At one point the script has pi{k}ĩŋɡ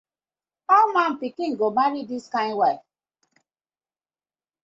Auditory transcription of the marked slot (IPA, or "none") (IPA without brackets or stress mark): k